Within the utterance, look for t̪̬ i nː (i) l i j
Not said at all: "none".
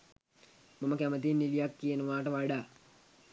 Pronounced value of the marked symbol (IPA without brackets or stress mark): i